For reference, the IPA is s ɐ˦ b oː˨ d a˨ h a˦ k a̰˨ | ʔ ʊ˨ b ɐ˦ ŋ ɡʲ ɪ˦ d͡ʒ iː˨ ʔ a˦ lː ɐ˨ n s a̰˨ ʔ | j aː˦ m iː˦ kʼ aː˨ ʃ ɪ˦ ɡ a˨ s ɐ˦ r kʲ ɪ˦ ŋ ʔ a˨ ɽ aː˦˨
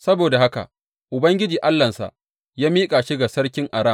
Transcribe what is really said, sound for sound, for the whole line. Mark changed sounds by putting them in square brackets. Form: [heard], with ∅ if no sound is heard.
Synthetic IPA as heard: s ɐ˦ b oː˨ d a˨ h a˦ k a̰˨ | ʔ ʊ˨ b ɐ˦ ŋ ɡʲ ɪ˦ d͡ʒ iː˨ ʔ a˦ lː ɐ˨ n s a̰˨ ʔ | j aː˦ m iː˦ kʼ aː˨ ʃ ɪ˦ ɡ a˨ s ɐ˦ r kʲ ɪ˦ ŋ ʔ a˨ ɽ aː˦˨